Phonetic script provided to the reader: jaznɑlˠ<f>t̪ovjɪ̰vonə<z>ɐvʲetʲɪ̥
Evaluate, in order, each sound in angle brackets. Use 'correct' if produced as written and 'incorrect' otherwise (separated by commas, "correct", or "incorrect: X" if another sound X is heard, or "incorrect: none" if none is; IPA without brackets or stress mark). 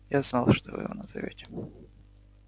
incorrect: ʂ, correct